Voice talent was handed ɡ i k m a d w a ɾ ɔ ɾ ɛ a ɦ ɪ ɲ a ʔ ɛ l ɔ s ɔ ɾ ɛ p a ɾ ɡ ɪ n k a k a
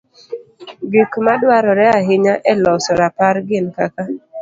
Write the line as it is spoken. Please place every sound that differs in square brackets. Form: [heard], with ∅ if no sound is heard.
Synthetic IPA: ɡ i k m a d w a ɾ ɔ ɾ ɛ a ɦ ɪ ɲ a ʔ ɛ l ɔ s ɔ ɾ [a] p a ɾ ɡ ɪ n k a k a